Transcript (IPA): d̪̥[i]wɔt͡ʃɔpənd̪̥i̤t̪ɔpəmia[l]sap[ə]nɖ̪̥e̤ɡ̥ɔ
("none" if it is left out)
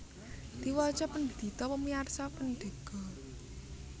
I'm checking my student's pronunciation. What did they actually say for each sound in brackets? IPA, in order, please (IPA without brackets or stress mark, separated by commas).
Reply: i, r, ə